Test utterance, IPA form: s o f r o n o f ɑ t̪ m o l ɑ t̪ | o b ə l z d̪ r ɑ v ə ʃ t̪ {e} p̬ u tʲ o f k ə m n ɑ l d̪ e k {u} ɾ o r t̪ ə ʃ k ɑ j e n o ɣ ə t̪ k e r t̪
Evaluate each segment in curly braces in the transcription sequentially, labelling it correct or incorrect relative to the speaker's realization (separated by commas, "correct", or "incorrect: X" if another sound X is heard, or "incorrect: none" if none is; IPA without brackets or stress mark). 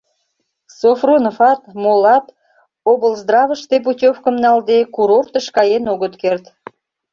correct, correct